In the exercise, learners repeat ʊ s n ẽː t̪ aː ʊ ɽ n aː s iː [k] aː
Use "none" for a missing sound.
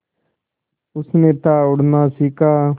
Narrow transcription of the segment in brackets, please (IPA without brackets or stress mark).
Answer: k